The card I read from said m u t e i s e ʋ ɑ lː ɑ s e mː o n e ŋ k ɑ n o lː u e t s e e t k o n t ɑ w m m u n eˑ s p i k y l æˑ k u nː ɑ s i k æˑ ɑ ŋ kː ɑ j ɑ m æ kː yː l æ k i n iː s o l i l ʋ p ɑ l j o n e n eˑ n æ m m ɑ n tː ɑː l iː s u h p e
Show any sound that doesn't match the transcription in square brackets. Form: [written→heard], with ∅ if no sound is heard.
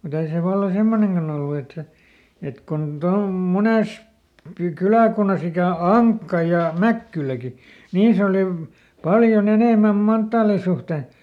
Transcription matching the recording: m u t e i s e ʋ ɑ lː ɑ s e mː o n e ŋ k ɑ n o lː u e t s e e t k o n t ɑ [w→u] m m u n eˑ s p i k y l æˑ k u nː ɑ s i k æˑ ɑ ŋ kː ɑ j ɑ m æ kː [yː→y] l æ k i n iː s o l i [l→∅] ʋ p ɑ l j o n e n eˑ [n→m] æ m m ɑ n tː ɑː l [iː→i] s u h [p→t] e